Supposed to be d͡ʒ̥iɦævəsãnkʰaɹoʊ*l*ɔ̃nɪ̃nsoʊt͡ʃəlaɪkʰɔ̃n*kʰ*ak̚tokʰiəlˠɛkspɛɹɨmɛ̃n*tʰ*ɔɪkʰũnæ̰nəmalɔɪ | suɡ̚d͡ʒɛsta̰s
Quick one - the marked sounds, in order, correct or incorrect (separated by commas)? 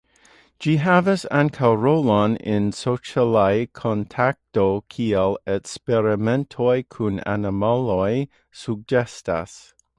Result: correct, incorrect, correct